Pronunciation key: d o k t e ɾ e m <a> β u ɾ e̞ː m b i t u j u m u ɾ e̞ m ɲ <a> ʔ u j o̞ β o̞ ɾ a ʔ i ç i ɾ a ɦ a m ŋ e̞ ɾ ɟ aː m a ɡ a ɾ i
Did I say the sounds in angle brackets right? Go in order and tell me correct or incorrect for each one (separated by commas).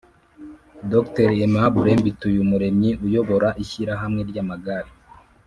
correct, incorrect